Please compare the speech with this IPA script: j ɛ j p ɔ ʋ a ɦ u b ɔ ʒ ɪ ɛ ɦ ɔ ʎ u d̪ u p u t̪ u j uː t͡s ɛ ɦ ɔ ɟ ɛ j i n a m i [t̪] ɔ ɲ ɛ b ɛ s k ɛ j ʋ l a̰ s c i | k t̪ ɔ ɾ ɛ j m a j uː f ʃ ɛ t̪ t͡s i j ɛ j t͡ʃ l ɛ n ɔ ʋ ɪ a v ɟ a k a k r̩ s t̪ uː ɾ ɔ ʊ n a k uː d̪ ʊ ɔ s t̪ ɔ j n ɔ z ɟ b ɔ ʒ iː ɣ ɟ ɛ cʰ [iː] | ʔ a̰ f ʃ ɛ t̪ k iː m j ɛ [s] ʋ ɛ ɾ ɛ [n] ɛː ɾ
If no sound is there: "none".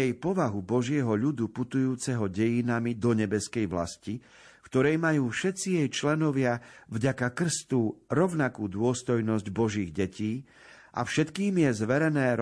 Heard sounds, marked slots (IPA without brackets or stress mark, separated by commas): d̪, iː, z, n